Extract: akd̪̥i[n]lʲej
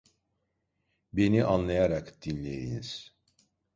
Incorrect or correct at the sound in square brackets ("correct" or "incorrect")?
correct